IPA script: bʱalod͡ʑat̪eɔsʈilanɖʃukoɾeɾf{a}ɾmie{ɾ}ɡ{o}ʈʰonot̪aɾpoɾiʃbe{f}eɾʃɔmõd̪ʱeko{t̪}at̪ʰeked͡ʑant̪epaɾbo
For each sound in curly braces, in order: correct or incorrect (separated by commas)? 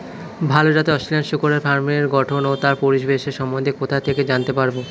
correct, correct, incorrect, incorrect, incorrect